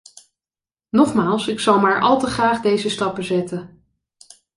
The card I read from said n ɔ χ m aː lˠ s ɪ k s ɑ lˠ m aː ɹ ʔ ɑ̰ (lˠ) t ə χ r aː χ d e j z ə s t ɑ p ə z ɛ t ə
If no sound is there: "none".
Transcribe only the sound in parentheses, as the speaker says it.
lˠ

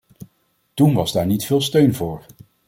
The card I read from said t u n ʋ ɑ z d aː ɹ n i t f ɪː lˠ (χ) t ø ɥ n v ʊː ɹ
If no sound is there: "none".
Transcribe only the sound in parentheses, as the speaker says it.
s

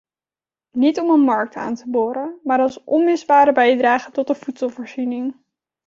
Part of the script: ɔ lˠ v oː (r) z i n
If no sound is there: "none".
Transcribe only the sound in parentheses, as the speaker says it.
ɹ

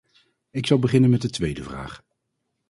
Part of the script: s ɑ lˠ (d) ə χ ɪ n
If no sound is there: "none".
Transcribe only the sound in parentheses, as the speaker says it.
b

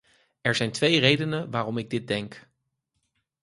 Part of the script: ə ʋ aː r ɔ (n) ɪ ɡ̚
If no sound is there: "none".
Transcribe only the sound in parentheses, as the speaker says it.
m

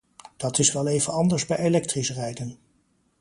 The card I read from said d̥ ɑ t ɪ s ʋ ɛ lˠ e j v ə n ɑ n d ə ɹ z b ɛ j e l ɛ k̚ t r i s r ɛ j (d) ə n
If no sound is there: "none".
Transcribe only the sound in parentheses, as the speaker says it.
d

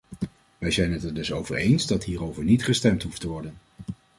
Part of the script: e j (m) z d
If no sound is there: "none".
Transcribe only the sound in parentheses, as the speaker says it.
n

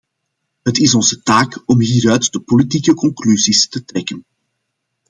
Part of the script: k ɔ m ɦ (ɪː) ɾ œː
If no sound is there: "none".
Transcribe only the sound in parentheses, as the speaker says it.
iː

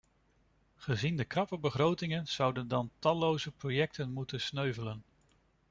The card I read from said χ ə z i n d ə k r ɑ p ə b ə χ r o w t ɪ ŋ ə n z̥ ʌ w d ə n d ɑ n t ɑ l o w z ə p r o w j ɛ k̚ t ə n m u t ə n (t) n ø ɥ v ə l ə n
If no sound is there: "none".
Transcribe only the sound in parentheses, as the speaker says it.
s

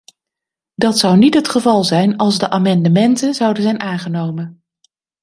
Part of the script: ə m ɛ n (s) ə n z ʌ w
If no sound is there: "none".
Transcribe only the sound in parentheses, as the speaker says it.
t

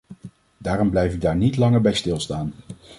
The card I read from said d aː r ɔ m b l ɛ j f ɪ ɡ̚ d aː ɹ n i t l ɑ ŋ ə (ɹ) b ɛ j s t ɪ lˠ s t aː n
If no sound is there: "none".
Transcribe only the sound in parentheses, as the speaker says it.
ɹ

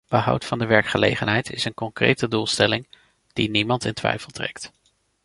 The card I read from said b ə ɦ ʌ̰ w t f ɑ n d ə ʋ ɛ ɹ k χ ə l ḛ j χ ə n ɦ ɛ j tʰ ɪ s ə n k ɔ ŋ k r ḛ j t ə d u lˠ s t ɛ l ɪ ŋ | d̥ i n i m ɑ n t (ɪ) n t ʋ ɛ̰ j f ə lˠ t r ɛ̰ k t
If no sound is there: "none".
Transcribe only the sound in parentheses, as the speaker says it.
ɪ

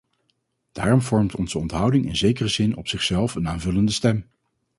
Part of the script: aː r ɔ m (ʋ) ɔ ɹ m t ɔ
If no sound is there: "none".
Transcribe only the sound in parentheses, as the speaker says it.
v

